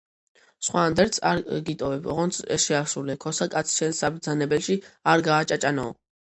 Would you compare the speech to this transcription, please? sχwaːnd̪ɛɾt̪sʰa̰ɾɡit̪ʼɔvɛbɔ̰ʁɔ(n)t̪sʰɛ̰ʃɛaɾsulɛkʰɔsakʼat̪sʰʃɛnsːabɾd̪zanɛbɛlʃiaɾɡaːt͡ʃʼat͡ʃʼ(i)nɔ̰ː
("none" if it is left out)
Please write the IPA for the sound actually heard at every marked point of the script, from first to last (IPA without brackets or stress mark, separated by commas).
n, a